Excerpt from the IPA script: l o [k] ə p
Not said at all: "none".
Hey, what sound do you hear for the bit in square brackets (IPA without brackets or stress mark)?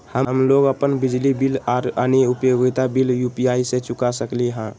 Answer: ɡ